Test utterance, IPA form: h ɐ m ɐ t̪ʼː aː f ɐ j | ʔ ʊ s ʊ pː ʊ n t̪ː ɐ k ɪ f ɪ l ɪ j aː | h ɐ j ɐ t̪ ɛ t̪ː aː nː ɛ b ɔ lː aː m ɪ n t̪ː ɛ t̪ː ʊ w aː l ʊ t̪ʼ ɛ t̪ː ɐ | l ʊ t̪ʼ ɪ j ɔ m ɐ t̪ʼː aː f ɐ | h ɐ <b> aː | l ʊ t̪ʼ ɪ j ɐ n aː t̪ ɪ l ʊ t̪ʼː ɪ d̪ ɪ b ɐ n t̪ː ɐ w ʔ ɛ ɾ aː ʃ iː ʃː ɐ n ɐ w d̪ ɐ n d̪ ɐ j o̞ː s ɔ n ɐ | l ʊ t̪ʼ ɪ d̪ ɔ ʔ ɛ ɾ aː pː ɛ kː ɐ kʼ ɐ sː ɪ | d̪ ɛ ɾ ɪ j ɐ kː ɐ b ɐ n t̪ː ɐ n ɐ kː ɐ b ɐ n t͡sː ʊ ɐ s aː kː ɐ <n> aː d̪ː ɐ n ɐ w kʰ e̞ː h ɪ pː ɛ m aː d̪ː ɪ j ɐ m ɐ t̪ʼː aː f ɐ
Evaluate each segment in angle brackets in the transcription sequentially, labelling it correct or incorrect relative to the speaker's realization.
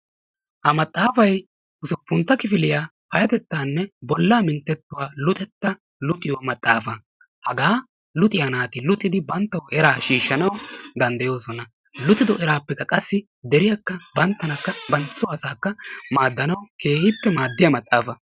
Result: incorrect: ɡ, incorrect: m

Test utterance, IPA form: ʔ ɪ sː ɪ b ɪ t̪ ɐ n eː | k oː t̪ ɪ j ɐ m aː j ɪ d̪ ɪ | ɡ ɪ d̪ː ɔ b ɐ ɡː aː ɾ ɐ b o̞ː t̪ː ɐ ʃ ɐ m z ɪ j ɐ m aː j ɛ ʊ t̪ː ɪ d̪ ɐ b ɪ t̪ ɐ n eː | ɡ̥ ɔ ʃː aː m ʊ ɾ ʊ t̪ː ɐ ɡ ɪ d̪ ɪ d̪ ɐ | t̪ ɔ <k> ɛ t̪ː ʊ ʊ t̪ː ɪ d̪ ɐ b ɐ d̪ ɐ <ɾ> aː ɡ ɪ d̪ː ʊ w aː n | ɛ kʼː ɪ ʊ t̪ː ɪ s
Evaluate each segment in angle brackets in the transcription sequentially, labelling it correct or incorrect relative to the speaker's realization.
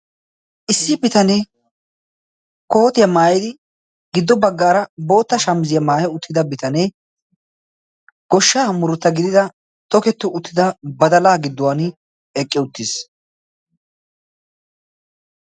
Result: correct, incorrect: l

